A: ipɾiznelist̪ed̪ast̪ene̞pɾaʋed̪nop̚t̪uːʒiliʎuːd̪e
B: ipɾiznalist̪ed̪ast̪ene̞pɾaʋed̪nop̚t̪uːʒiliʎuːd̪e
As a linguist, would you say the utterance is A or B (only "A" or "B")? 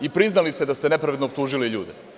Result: B